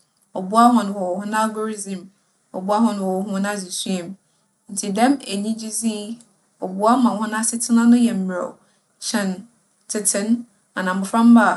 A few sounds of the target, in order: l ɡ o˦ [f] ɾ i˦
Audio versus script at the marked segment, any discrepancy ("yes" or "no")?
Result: yes